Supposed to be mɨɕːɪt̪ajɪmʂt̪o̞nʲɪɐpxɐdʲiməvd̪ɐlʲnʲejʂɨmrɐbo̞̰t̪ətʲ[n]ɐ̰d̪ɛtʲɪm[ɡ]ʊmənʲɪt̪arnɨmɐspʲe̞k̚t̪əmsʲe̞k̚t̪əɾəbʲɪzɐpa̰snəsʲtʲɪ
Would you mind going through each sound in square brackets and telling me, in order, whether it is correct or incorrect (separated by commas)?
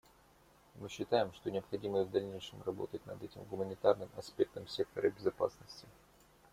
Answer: correct, correct